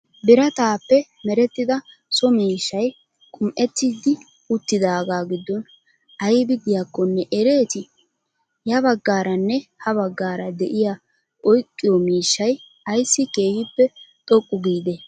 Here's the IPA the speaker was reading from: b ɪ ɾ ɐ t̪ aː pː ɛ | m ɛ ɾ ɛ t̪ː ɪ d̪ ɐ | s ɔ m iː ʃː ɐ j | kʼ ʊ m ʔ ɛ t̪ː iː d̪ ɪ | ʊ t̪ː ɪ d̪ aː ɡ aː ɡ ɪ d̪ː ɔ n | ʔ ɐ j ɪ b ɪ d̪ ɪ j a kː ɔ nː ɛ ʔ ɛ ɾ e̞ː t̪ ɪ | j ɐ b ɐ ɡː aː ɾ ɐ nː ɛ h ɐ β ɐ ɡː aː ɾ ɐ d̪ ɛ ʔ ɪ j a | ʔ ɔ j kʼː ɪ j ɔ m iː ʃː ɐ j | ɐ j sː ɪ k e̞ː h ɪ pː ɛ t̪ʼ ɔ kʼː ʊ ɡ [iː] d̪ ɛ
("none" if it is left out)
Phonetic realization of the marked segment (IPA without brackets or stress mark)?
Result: iː